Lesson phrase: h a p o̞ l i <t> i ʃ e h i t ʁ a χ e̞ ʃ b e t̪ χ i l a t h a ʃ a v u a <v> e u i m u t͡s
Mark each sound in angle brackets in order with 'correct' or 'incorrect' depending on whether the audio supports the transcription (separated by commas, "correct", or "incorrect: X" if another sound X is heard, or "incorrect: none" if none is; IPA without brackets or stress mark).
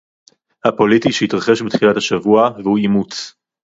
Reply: correct, correct